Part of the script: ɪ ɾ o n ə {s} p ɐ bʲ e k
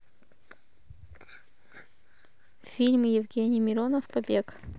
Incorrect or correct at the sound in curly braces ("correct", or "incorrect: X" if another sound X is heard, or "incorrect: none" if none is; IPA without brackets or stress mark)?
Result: incorrect: f